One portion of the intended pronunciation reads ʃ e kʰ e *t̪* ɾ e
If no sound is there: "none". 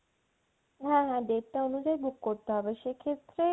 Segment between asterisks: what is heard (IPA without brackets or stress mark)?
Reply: t̪